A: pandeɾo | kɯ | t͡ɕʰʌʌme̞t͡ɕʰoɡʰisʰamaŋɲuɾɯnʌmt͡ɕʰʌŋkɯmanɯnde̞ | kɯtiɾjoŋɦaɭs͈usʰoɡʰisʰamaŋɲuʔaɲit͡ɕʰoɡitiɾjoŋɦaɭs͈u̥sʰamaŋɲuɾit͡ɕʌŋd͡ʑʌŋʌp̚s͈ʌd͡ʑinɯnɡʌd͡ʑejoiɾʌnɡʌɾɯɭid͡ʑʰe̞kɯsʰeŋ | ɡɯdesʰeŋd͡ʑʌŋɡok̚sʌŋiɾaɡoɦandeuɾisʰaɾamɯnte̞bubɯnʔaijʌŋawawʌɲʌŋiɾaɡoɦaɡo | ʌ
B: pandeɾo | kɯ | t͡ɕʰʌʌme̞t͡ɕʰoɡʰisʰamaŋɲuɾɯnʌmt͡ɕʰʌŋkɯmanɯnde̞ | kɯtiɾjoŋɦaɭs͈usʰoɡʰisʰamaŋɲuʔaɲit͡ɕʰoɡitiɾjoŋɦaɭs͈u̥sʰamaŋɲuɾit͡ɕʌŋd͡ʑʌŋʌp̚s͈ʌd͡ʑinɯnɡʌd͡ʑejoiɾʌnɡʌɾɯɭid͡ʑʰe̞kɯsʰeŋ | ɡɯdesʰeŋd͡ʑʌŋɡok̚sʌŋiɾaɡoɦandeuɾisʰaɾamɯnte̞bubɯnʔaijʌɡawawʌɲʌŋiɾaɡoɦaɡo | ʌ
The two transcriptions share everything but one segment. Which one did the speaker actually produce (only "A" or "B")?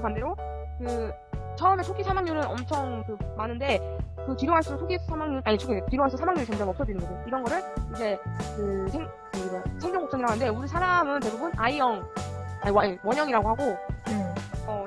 A